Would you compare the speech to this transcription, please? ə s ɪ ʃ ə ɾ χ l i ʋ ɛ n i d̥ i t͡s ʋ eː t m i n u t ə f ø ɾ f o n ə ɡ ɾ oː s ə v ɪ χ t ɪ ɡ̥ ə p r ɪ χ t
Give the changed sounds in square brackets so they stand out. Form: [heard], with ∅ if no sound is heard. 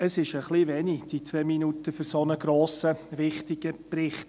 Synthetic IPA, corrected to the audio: ə s ɪ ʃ ə [∅] χ l i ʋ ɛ n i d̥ i t͡s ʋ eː [∅] m i n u t ə f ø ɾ [s] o n ə ɡ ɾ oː s ə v ɪ χ t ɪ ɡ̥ ə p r ɪ χ t